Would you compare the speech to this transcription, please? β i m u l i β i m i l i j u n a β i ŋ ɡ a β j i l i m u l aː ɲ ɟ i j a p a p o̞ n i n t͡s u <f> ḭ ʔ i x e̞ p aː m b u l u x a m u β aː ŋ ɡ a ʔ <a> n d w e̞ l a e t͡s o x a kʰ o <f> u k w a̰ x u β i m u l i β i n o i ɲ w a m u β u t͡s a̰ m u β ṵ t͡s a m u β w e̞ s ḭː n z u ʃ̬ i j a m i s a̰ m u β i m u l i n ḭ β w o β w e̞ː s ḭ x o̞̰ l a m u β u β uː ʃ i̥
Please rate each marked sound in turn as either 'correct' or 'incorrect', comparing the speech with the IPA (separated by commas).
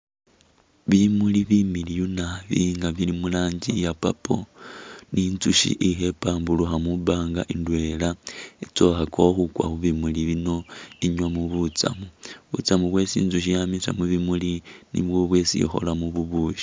incorrect, incorrect, incorrect